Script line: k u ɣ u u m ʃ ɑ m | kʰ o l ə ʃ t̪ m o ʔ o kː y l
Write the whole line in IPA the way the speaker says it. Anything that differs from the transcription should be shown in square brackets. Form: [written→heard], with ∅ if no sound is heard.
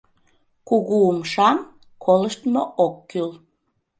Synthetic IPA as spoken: k u ɣ u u m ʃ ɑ m | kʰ o l ə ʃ t̪ m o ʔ o kː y l